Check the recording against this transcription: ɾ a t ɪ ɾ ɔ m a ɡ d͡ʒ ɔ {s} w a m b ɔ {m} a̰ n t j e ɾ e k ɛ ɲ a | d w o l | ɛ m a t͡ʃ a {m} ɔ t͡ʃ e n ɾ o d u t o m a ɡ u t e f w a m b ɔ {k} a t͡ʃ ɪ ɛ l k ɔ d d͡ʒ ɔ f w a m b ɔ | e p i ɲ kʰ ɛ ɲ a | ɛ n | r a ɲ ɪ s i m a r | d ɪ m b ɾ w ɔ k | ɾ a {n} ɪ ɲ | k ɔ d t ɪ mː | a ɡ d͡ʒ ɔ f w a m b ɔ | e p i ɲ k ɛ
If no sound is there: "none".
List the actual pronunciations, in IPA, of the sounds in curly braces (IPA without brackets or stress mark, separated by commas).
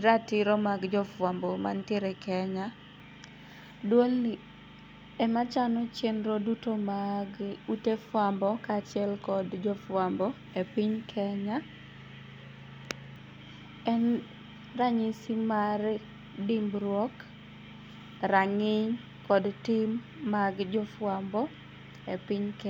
f, m, n, k, ŋ